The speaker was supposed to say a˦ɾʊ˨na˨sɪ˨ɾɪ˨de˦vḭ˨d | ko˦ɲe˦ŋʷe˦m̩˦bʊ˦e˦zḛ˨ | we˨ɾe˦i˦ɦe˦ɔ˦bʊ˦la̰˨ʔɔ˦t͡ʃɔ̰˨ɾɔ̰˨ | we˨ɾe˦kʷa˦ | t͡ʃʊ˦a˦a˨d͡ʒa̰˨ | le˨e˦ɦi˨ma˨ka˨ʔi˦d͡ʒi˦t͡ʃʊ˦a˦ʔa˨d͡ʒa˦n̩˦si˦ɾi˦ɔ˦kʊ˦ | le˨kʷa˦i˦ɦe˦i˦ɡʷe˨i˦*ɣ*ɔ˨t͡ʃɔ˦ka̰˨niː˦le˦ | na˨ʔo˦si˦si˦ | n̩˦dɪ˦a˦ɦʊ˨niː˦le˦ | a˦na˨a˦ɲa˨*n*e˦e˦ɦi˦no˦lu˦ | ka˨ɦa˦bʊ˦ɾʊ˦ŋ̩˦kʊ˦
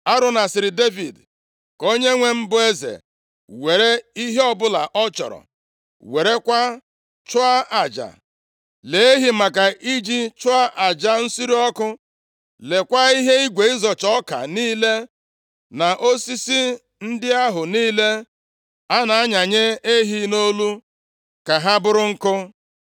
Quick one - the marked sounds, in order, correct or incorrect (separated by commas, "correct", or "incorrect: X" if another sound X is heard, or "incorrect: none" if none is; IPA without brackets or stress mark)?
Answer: incorrect: z, incorrect: ɲ